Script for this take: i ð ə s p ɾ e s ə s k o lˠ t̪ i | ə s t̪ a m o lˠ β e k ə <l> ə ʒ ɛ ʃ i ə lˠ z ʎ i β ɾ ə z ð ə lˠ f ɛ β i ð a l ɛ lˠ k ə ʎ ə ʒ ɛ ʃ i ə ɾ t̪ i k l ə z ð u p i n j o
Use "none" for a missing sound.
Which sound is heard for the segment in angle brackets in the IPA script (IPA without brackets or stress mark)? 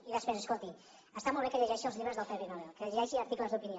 ʎ